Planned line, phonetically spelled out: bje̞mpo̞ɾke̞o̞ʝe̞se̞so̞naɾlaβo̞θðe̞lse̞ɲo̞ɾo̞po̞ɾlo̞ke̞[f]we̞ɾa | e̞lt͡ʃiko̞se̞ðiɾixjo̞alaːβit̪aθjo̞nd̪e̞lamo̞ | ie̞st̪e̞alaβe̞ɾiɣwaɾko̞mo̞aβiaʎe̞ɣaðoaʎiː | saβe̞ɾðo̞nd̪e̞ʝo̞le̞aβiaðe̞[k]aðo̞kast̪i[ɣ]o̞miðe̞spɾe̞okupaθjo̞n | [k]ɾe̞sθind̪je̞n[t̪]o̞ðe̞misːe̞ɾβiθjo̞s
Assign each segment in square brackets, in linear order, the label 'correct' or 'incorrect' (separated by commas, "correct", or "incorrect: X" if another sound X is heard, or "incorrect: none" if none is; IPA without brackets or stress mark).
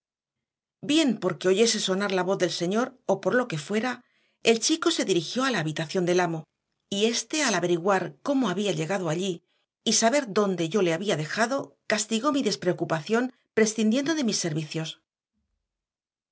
correct, incorrect: x, correct, incorrect: p, incorrect: d̪